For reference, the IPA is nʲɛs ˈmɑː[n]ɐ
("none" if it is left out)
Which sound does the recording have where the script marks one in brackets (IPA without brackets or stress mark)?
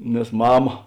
m